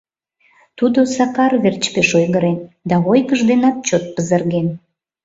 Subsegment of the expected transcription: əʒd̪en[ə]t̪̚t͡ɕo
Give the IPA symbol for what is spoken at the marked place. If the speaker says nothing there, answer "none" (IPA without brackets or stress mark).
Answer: ɑ